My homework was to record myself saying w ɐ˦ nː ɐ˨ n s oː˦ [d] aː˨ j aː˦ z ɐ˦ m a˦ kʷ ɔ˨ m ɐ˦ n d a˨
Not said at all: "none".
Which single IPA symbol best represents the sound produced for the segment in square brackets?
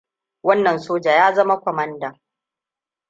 d͡ʒ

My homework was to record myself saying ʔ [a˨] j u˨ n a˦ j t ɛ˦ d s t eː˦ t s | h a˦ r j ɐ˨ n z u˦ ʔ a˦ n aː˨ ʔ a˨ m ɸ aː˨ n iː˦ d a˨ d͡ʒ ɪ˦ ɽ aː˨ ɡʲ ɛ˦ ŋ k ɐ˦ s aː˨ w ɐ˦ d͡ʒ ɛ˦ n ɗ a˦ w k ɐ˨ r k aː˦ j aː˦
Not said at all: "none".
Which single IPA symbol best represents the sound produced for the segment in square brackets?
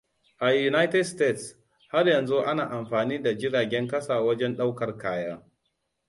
a˨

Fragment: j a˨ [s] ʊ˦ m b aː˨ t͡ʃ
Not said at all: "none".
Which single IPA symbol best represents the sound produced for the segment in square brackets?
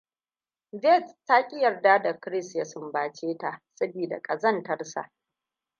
s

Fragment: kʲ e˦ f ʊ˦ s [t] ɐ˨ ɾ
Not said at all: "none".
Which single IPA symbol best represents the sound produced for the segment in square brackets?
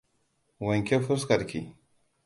k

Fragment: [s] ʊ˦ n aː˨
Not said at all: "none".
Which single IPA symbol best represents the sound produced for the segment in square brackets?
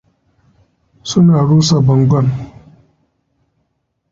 s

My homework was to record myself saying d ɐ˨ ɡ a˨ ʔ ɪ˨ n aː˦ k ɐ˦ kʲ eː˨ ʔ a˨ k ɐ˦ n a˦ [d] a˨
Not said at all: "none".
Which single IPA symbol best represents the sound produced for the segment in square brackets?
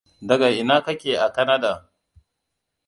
d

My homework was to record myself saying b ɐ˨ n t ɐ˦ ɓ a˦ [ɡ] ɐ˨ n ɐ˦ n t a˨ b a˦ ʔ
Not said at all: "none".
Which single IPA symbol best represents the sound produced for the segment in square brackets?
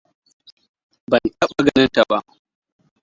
ɡ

